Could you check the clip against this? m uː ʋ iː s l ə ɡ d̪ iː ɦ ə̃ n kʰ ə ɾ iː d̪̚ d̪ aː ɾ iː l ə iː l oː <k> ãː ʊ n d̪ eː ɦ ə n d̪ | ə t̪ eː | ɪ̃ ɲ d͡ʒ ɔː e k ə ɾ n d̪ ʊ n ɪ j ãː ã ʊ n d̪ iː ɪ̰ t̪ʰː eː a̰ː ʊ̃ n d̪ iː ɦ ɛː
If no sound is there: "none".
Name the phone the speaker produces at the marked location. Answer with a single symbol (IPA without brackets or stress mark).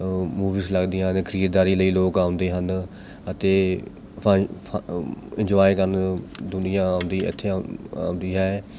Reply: k